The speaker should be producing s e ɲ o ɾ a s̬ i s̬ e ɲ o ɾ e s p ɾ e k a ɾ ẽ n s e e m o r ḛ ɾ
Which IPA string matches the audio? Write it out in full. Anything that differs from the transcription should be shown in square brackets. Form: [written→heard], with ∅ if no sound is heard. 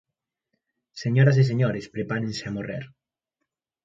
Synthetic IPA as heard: s e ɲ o ɾ a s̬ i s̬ e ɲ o ɾ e s p ɾ e [k→p] a ɾ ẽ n s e [e→a] m o r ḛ ɾ